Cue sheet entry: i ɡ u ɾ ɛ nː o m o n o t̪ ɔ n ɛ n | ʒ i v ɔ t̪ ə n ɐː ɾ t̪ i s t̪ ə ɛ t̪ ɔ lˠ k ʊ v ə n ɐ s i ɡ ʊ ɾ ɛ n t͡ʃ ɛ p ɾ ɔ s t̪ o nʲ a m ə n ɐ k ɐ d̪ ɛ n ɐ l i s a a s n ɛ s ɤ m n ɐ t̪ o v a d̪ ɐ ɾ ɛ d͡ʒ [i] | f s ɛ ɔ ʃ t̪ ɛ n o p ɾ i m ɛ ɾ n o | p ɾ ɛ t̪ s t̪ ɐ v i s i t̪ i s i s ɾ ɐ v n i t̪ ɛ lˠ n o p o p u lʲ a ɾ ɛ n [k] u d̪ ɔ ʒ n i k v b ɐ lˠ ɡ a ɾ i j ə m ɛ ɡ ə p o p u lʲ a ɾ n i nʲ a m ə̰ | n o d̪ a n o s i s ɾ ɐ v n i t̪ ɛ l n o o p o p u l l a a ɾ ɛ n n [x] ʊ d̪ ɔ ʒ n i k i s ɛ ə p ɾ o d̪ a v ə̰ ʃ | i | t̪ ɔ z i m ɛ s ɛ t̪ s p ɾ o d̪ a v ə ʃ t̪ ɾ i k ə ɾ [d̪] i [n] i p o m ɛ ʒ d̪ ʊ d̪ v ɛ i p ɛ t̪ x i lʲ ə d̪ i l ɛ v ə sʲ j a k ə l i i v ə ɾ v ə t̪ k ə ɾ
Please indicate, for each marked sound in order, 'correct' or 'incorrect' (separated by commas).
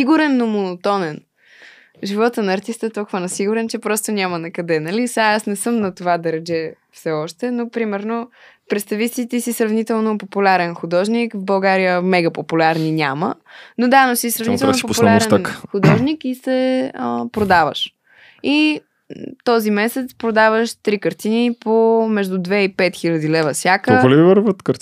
incorrect, incorrect, correct, incorrect, correct